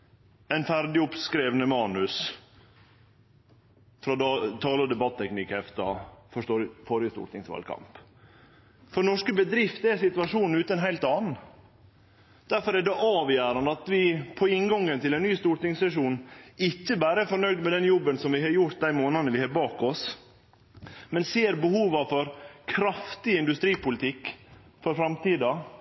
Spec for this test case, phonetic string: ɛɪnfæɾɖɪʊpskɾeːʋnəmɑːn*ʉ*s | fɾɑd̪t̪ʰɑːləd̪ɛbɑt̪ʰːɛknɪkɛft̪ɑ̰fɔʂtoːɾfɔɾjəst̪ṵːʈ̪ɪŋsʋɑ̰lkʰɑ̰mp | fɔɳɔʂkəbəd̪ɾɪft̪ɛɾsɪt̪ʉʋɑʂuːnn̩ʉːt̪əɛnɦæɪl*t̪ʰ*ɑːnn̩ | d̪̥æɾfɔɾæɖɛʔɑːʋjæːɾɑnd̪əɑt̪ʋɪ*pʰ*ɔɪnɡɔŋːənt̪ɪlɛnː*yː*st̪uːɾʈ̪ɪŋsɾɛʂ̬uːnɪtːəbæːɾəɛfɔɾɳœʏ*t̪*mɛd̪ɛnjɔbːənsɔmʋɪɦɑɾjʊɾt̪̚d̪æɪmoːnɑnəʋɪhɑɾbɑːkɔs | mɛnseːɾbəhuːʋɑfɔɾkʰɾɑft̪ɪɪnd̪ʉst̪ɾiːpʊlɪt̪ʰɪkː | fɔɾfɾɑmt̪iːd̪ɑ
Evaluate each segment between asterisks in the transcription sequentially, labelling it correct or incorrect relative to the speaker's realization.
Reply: correct, incorrect, correct, correct, incorrect

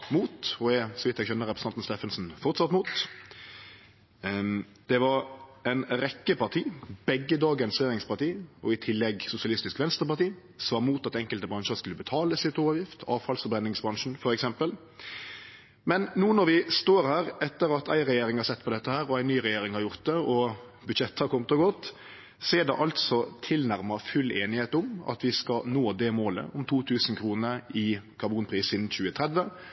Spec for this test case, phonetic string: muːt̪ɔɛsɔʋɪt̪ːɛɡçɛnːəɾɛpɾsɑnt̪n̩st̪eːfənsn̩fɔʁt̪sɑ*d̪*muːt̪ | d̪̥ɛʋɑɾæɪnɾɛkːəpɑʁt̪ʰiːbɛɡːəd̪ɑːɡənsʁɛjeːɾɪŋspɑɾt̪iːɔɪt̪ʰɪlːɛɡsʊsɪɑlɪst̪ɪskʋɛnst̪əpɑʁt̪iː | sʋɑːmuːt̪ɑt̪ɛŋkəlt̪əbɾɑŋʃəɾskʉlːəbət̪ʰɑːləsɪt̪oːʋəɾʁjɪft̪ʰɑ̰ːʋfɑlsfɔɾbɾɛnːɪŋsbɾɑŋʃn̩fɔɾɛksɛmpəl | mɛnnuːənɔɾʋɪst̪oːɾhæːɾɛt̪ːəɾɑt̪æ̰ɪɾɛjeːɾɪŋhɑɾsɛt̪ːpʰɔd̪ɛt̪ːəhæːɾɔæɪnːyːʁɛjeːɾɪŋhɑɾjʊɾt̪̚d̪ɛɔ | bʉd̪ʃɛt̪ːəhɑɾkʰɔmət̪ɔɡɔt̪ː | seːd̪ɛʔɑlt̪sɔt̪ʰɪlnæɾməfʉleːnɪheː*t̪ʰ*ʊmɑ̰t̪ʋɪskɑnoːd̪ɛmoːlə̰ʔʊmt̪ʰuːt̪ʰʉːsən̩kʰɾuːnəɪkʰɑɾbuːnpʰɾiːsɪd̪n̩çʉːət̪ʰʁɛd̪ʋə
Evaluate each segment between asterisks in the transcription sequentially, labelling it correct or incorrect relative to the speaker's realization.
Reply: incorrect, incorrect

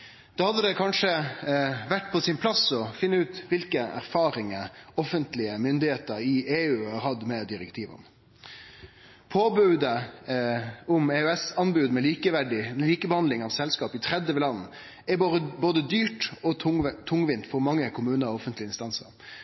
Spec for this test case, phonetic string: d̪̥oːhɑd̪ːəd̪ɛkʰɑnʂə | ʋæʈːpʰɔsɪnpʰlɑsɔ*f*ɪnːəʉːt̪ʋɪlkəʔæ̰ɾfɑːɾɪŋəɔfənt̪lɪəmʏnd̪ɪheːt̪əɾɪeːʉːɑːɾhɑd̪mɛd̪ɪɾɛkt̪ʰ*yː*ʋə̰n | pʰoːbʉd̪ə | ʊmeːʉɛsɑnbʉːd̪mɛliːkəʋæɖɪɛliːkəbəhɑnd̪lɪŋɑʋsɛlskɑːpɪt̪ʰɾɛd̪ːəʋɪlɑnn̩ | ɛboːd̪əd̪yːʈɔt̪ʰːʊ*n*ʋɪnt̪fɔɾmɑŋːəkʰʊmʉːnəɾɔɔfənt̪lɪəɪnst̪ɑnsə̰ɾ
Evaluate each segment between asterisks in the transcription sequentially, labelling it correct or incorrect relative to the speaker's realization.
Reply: correct, incorrect, incorrect

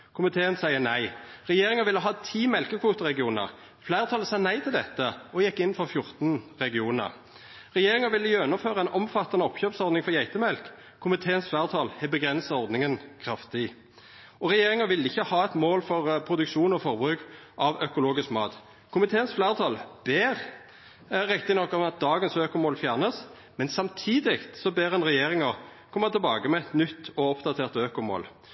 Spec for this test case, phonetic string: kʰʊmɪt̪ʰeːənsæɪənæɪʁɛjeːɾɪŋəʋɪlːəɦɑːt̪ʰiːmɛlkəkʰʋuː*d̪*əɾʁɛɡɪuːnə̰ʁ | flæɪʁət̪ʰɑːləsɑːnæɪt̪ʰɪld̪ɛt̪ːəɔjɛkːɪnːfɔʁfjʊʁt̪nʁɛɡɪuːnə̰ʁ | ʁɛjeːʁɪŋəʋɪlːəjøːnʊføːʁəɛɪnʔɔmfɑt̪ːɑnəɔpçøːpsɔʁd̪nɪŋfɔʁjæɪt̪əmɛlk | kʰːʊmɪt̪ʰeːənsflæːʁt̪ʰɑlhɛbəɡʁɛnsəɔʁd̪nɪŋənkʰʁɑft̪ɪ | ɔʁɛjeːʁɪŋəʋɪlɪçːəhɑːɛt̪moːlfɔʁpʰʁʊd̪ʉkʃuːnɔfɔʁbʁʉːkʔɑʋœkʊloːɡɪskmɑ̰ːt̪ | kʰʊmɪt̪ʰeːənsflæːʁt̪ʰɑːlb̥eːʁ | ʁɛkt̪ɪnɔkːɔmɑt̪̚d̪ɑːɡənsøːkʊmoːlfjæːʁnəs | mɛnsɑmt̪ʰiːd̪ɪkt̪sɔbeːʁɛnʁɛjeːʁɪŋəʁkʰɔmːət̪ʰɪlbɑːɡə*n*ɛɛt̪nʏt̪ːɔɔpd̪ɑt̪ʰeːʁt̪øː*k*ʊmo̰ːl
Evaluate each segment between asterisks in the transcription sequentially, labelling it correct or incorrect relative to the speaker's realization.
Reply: incorrect, incorrect, correct

